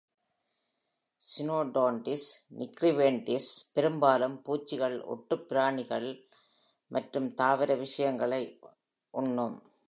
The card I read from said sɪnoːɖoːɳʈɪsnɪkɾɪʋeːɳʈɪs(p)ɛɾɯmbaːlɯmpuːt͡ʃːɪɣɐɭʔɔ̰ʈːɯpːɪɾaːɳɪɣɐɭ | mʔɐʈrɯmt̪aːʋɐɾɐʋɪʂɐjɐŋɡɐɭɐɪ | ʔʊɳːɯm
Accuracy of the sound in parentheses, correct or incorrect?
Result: correct